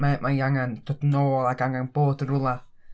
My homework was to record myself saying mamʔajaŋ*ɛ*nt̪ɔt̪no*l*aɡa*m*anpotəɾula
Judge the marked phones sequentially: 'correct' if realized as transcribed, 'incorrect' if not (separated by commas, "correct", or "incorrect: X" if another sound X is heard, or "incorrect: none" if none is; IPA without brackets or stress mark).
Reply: incorrect: a, correct, incorrect: ŋ